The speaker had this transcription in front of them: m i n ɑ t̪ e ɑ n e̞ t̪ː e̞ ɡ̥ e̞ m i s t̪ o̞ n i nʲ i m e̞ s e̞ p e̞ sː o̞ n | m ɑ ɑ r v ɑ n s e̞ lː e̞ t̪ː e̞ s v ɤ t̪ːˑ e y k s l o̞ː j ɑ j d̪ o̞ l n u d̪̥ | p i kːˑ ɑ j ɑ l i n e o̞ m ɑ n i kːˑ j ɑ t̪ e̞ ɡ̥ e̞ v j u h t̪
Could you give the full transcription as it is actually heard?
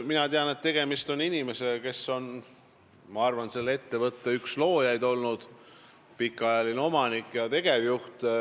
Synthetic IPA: m i n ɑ t̪ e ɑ n e̞ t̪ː e̞ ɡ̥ e̞ m i s t̪ o̞ n i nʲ i m e̞ s e̞ k e̞ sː o̞ n | m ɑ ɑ r v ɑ n s e̞ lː e̞ t̪ː e̞ v ɤ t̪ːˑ e y k s l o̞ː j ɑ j d̪ o̞ l n u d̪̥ | p i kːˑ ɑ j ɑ l i n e o̞ m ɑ n i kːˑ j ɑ t̪ e̞ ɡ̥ e̞ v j u h t̪